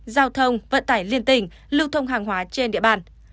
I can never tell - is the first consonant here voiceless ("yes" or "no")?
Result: no